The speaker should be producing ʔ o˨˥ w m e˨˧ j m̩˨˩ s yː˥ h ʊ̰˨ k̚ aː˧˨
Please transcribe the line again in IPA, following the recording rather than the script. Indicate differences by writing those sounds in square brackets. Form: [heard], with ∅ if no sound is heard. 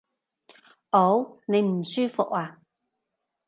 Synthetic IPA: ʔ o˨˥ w [n] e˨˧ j m̩˨˩ s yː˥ [f] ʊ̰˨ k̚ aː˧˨